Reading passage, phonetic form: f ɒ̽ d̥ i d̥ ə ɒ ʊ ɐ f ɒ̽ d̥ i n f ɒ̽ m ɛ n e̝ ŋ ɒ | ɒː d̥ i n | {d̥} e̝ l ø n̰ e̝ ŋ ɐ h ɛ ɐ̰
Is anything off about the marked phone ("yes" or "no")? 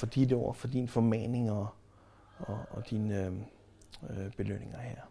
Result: yes